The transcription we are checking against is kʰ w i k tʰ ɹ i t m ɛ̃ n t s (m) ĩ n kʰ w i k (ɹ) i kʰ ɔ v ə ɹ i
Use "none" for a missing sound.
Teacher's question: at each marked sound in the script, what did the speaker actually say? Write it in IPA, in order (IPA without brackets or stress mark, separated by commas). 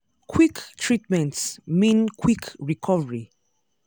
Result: m, ɹ